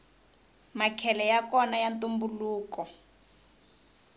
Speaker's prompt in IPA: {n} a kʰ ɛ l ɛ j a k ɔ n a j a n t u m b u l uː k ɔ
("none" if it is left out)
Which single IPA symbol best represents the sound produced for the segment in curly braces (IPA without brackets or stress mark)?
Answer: m